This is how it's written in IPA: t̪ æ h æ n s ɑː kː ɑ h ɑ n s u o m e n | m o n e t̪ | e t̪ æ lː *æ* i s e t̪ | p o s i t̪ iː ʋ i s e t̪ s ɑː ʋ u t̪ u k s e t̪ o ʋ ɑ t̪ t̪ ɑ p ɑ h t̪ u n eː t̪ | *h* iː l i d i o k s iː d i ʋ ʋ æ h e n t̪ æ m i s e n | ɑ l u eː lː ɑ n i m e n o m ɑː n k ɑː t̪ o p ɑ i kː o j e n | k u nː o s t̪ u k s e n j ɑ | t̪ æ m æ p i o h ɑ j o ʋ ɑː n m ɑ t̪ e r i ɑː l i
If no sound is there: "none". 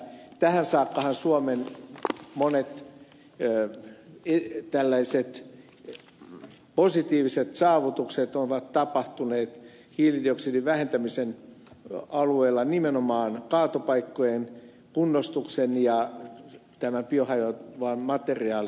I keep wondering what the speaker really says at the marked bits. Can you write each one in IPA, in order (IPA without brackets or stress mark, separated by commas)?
æ, h